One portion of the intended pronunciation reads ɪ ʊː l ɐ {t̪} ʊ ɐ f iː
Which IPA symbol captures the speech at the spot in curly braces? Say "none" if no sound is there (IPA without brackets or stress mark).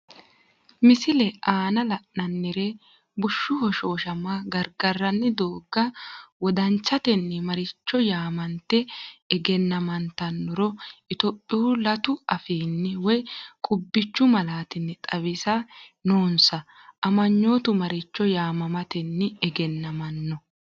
t̪